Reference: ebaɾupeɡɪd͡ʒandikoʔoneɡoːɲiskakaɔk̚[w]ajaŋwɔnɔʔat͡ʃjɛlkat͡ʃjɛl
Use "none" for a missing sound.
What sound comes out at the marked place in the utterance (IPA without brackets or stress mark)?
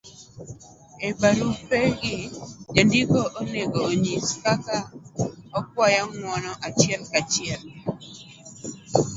w